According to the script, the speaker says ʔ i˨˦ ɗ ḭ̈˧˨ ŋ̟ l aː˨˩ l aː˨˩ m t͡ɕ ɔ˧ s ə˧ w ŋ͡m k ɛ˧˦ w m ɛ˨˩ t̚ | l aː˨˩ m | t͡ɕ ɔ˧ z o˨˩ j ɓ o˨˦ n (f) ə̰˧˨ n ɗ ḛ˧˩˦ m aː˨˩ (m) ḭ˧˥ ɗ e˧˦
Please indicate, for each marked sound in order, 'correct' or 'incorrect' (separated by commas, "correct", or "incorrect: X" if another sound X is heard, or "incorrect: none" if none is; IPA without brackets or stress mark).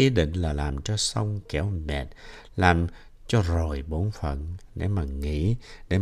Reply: correct, incorrect: ŋ